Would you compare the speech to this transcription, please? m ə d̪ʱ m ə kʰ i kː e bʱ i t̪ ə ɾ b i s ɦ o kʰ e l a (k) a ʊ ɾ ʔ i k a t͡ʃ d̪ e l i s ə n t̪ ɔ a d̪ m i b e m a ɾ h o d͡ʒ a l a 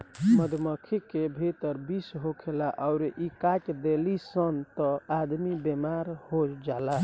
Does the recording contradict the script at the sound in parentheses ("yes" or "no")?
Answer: yes